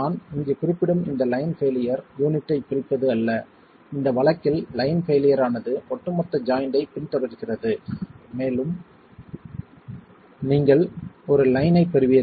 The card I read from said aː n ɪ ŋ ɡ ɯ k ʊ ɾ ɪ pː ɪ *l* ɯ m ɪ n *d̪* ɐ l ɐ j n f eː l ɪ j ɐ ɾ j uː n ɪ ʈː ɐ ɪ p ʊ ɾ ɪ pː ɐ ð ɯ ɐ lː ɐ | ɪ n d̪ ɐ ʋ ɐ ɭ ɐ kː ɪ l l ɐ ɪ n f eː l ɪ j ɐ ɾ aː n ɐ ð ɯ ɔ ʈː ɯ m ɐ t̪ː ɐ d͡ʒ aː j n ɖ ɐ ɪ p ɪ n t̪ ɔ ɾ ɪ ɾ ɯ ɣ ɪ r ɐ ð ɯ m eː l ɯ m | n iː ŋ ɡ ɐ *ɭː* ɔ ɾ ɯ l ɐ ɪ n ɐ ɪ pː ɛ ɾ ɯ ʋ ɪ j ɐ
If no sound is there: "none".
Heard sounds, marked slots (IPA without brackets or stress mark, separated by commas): ɽ, d̪, ɭ